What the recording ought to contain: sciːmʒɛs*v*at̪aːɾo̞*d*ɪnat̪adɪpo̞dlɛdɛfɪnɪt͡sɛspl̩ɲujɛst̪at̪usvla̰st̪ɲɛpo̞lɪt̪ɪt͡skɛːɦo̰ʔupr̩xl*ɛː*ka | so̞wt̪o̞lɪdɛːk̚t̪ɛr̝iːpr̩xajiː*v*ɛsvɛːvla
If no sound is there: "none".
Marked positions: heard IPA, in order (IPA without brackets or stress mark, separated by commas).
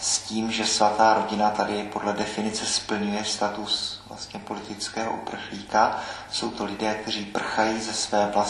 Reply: v, ɟ, iː, z